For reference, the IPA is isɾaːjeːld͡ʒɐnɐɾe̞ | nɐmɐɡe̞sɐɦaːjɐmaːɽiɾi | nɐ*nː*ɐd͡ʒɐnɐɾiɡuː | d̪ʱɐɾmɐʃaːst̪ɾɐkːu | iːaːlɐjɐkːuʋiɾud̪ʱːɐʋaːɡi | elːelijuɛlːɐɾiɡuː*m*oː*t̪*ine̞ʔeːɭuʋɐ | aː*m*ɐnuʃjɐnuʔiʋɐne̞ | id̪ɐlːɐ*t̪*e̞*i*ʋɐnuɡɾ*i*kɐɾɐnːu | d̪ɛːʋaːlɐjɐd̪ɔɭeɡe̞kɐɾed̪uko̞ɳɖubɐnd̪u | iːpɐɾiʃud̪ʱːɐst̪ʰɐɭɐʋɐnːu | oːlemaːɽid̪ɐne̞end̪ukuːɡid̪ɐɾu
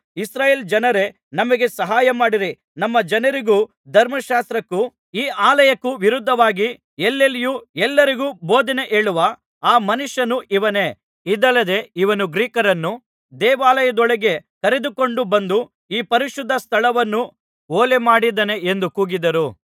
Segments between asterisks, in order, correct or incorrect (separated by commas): incorrect, incorrect, incorrect, correct, incorrect, correct, incorrect